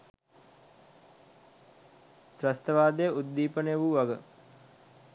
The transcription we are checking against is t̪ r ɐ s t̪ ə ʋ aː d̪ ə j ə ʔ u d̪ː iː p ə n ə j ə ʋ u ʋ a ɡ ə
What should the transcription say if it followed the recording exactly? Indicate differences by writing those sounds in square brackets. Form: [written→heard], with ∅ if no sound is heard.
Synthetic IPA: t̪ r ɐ s t̪ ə ʋ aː d̪ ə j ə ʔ u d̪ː iː p ə n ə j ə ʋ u ʋ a ɡ ə